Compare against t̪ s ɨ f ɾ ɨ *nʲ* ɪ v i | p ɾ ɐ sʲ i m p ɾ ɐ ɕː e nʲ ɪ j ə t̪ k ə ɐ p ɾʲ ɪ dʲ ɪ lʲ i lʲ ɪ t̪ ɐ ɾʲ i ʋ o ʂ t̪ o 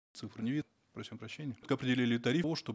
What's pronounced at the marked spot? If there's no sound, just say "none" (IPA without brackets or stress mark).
nʲ